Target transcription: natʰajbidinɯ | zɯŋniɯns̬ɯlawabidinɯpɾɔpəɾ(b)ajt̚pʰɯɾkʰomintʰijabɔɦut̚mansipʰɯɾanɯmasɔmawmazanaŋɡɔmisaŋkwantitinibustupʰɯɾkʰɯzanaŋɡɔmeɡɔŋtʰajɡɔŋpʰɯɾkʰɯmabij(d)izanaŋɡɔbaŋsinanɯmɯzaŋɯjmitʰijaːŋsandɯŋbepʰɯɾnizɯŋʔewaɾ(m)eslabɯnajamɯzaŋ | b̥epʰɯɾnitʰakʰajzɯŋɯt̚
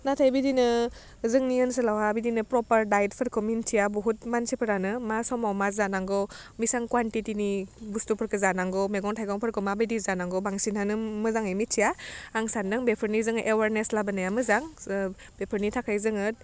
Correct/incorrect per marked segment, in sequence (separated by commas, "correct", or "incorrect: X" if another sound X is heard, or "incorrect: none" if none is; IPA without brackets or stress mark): incorrect: d, correct, incorrect: n